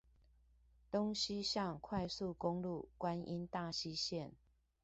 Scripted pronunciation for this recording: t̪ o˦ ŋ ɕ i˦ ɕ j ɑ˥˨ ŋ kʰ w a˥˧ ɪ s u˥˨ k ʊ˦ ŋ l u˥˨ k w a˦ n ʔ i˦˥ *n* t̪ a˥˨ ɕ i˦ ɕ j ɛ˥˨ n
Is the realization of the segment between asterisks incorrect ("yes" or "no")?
no